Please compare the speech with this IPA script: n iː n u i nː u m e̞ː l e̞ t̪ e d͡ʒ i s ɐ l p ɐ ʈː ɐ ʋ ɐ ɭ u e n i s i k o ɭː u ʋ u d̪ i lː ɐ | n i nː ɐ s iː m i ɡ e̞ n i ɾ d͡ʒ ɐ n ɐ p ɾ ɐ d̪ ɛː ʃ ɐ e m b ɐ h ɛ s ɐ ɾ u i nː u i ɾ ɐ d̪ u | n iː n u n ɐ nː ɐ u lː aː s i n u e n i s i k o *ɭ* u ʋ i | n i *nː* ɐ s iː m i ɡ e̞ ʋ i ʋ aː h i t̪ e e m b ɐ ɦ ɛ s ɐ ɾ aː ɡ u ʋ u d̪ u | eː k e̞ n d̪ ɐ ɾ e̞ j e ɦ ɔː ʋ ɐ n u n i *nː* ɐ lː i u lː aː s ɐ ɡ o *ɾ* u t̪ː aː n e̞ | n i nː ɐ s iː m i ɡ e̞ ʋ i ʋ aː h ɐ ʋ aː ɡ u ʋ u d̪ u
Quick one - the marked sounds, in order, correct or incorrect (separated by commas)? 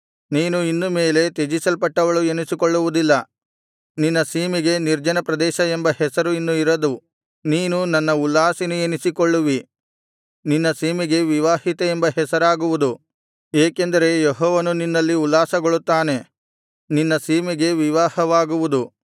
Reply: incorrect, correct, correct, incorrect